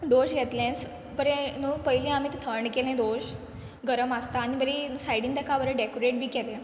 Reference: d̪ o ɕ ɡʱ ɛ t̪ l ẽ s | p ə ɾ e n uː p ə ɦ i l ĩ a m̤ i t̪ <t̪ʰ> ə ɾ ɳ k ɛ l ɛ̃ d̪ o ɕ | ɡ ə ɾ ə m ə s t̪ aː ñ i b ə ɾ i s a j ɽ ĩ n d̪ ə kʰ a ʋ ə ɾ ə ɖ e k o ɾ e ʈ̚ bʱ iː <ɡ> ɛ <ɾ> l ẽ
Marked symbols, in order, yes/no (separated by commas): yes, no, no